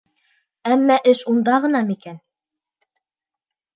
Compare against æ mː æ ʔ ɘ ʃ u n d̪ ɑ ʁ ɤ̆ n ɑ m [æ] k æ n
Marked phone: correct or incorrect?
incorrect